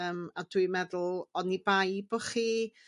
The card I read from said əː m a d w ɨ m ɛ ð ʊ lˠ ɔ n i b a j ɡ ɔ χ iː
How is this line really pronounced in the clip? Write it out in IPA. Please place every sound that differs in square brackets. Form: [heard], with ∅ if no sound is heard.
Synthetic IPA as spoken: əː m a d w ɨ m ɛ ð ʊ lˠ ɔ n i b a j [b] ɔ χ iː